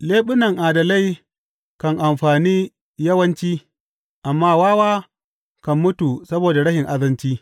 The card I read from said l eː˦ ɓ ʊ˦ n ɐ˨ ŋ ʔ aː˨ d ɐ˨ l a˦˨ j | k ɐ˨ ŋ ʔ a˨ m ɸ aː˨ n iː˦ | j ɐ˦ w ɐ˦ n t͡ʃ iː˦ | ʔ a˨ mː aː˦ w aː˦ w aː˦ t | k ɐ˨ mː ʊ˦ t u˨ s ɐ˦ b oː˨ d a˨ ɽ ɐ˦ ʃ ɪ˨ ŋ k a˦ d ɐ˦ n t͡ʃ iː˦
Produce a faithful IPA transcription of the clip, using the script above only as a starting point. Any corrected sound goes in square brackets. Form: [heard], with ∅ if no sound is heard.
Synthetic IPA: l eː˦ ɓ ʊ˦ n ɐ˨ ŋ ʔ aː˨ d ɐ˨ l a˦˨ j | k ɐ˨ ŋ ʔ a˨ m ɸ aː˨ n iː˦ | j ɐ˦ w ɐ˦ n t͡ʃ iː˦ | ʔ a˨ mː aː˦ w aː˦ w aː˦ [∅] | k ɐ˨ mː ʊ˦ t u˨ s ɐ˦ b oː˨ d a˨ ɽ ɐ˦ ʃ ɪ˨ ŋ [ʔ] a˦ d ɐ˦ n t͡ʃ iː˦